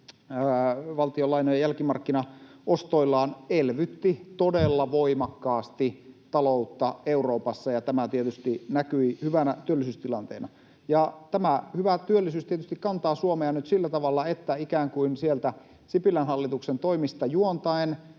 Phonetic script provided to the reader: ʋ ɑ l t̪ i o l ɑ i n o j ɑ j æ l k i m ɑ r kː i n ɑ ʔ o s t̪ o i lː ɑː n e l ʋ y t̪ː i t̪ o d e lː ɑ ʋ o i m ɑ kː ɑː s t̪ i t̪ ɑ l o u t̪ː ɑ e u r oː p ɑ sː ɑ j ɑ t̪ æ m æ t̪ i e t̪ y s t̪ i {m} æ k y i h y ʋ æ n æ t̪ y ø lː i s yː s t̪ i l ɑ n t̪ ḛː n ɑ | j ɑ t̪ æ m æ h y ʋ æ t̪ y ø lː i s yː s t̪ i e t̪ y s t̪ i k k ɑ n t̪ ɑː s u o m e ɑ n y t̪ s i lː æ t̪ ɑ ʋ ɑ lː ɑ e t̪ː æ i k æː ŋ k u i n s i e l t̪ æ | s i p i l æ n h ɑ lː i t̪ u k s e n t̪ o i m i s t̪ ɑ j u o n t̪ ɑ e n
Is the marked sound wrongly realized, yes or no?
yes